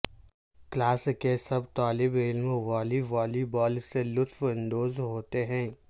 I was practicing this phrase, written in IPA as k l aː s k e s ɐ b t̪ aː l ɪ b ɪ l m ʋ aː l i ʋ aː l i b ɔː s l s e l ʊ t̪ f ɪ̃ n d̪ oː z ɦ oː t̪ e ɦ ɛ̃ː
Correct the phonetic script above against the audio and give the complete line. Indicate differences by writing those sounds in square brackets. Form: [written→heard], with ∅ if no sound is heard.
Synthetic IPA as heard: k l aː s k e s ɐ b t̪ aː l ɪ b ɪ l m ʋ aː l i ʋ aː l i b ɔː [s→∅] l s e l ʊ t̪ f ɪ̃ n d̪ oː z ɦ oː t̪ e ɦ ɛ̃ː